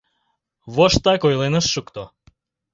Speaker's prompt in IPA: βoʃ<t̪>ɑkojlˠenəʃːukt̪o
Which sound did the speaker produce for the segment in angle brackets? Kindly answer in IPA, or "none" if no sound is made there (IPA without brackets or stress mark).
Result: t̪